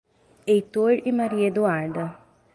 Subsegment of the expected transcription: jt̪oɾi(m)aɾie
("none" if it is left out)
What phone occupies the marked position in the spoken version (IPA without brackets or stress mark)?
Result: m